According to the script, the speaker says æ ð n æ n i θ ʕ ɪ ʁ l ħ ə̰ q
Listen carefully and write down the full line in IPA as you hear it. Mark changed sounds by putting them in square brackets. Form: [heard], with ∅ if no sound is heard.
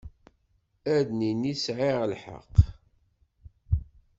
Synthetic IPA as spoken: æ ð n [i] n i [s] ʕ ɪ ʁ l ħ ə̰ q